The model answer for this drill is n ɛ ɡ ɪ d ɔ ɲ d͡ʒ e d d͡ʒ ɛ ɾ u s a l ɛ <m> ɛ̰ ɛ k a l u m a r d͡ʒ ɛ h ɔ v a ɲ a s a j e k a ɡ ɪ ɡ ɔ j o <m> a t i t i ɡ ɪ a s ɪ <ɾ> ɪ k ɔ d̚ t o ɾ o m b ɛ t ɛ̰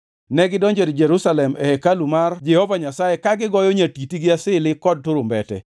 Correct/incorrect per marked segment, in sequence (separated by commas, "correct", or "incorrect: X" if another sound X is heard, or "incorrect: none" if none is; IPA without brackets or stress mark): correct, incorrect: ɲ, incorrect: l